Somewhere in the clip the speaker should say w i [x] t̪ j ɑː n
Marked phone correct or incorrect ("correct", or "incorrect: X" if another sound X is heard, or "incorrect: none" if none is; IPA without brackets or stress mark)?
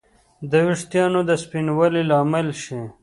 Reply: incorrect: ʂ